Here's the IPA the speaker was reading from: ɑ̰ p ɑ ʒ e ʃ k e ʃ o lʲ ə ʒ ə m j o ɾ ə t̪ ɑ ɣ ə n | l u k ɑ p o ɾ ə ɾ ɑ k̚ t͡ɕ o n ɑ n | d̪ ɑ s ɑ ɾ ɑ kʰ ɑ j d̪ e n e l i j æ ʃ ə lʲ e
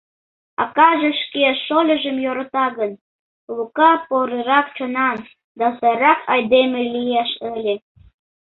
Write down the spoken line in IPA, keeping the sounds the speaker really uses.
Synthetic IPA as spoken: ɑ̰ k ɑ ʒ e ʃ k e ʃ o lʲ ə ʒ ə m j o ɾ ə t̪ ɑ ɣ ə n | l u k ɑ p o ɾ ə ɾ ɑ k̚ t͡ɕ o n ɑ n | d̪ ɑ s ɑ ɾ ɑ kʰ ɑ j d̪ e m e l i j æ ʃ ə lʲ e